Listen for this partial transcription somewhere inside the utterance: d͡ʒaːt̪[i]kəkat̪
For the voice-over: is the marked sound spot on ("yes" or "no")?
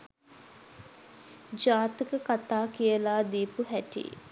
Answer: yes